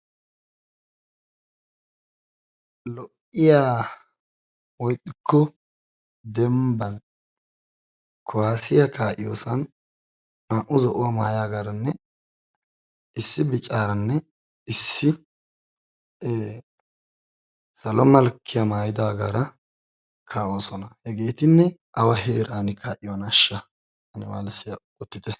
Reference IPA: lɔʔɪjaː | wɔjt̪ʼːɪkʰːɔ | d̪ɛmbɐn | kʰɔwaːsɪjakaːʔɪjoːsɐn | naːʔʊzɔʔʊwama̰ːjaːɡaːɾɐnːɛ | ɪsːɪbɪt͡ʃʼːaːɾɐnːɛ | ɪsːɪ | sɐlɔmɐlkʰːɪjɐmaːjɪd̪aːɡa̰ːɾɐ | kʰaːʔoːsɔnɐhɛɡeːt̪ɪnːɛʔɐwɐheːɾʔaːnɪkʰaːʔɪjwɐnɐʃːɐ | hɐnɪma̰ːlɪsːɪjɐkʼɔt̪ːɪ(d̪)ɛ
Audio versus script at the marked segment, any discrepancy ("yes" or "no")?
yes